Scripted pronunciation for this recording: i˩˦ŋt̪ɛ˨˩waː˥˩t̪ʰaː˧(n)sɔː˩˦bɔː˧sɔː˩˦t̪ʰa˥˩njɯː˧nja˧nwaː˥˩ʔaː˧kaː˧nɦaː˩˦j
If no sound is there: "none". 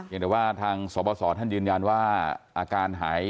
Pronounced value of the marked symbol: ŋ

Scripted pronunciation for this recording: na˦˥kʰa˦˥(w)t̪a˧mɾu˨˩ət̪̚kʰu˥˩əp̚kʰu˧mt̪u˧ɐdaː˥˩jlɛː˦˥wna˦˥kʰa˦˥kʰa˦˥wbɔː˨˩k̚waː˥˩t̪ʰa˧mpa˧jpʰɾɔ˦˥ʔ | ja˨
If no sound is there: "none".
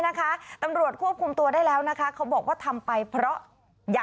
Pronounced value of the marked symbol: none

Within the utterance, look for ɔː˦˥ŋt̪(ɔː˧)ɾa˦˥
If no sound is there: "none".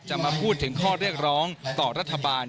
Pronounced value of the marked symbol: ɔː˨˩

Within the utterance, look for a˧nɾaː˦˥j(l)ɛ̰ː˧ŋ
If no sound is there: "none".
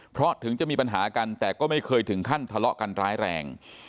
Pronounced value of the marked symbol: ɾ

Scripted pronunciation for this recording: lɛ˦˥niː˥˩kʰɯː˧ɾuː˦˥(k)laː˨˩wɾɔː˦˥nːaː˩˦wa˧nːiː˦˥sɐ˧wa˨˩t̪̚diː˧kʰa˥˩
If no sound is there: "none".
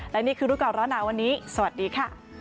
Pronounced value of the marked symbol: k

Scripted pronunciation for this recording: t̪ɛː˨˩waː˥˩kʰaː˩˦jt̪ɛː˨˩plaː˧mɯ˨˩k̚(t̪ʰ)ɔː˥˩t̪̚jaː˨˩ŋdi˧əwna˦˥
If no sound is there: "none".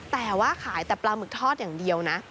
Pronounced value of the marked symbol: t̪ʰ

